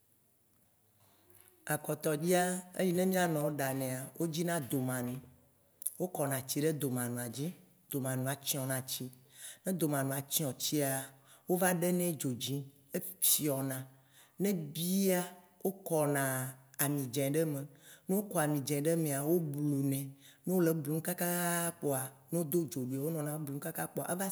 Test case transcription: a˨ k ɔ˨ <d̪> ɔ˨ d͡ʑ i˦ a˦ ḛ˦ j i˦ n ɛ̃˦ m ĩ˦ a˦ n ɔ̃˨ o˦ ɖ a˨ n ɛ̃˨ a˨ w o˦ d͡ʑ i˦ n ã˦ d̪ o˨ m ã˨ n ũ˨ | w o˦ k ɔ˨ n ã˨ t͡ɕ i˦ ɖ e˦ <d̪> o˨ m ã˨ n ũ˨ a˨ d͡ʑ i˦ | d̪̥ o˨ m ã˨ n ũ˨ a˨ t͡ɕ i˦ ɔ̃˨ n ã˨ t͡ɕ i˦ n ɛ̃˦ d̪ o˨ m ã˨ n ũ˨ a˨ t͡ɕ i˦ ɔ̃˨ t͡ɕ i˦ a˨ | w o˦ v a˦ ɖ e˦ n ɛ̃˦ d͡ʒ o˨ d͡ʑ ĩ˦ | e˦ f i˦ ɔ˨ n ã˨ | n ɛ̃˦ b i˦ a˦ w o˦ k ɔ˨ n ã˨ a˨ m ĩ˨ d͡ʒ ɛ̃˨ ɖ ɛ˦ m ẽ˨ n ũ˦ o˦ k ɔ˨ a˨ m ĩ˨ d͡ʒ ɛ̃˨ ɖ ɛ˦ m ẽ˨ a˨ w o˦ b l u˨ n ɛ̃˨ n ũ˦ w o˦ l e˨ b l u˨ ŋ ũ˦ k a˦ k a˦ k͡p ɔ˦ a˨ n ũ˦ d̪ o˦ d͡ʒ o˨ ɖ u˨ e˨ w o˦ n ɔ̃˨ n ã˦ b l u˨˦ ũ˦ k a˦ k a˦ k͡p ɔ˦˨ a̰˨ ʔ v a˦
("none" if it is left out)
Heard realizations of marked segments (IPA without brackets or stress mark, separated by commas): t̪, d̪